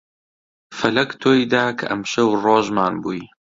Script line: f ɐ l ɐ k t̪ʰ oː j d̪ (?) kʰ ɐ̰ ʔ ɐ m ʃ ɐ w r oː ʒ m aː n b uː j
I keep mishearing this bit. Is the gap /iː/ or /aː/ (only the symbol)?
aː